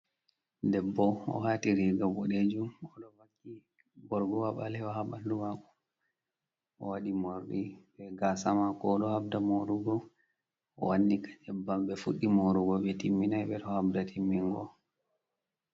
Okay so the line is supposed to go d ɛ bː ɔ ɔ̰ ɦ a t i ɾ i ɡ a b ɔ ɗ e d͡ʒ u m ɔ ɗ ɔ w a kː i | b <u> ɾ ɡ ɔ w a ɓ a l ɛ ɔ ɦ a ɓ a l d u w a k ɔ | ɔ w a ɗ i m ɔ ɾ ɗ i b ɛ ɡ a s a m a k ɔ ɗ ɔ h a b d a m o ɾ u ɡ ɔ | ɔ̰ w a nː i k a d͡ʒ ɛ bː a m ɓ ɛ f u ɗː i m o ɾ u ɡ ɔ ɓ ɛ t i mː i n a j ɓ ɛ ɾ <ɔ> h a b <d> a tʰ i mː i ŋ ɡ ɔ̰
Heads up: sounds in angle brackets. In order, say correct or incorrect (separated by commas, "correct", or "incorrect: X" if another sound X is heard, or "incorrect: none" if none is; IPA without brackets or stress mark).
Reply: incorrect: ɔ, correct, correct